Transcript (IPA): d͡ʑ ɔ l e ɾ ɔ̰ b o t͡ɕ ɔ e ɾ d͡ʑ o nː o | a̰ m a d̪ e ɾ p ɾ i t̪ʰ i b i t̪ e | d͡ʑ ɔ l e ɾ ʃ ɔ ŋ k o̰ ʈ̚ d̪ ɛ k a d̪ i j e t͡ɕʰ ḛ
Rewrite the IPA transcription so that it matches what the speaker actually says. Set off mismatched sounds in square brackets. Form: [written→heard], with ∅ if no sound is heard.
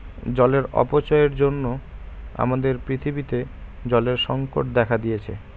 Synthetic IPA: d͡ʑ ɔ l e ɾ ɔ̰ [b→p] o t͡ɕ ɔ e ɾ d͡ʑ o nː o | a̰ m a d̪ e ɾ p ɾ i t̪ʰ i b i t̪ e | d͡ʑ ɔ l e ɾ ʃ ɔ ŋ k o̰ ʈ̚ d̪ ɛ [k→kʰ] a d̪ i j e t͡ɕʰ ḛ